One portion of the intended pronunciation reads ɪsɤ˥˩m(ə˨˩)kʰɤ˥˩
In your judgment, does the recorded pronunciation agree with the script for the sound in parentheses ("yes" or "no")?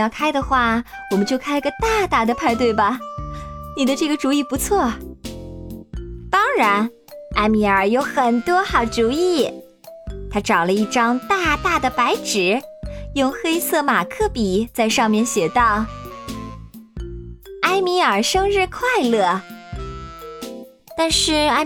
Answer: no